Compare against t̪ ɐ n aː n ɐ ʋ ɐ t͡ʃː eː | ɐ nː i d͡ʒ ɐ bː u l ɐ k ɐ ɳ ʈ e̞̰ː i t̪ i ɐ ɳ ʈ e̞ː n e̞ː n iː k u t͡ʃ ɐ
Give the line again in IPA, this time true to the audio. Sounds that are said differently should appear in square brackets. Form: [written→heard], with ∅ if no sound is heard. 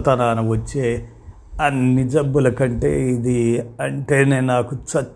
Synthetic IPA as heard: t̪ ɐ n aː n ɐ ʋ ɐ t͡ʃː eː | ɐ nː i d͡ʒ ɐ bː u l ɐ k ɐ ɳ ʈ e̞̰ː i [t̪→d̪] i ɐ ɳ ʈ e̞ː n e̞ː n [iː→aː] k u t͡ʃ ɐ